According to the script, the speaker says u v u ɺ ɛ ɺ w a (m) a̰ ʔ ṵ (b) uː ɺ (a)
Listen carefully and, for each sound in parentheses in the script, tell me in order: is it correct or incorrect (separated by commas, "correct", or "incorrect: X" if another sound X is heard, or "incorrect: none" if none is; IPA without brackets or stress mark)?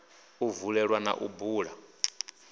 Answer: incorrect: n, correct, correct